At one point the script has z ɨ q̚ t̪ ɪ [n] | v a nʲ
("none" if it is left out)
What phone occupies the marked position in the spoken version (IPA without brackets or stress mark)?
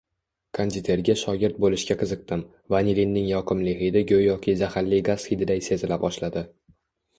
m